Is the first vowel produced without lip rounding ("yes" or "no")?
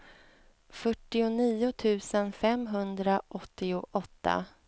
no